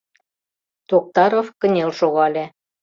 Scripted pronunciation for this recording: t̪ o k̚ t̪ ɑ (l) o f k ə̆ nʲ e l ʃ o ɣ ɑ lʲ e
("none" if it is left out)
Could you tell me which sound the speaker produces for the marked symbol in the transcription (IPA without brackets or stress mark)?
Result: ɾ